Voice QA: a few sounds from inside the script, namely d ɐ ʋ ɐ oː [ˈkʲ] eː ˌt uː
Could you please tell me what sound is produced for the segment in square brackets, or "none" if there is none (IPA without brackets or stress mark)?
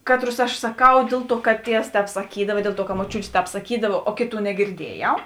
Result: kʲ